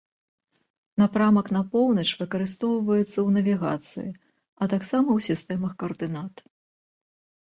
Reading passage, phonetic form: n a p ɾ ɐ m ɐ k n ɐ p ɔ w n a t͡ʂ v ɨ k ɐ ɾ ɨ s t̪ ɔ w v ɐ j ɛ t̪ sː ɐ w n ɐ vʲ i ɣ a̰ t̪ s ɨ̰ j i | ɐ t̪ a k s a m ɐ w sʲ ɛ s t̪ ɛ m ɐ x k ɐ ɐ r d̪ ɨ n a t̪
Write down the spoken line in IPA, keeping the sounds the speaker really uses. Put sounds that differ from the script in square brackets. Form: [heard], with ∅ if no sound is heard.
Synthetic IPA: n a p ɾ [a] m ɐ k n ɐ p ɔ w n [ɐ] t͡ʂ v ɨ k ɐ ɾ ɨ s t̪ ɔ w v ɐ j ɛ t̪ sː ɐ w n ɐ vʲ i ɣ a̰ t̪ s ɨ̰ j i | ɐ t̪ a k s a m ɐ w sʲ [i] s t̪ ɛ m ɐ x k ɐ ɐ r d̪ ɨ n a t̪